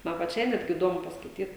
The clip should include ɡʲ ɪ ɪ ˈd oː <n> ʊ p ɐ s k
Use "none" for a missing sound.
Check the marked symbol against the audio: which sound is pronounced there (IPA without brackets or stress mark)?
m